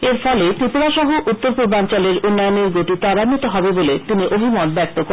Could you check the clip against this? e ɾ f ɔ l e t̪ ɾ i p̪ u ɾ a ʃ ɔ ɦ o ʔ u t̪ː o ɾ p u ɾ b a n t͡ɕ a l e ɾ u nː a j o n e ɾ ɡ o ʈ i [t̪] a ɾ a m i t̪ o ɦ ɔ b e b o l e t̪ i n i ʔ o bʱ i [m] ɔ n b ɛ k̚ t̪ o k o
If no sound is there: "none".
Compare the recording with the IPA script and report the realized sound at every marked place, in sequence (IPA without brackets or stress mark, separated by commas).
t̪, m